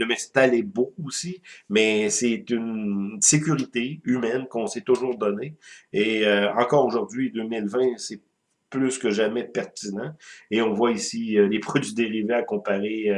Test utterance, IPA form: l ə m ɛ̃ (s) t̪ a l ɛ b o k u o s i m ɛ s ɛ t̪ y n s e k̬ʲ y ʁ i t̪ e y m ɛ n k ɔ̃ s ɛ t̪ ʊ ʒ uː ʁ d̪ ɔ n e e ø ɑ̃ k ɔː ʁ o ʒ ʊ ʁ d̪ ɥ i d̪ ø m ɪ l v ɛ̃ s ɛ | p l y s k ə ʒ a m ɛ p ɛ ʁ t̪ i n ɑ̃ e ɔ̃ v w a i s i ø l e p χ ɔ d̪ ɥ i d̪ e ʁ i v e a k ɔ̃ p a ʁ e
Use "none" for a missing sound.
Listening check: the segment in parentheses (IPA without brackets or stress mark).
s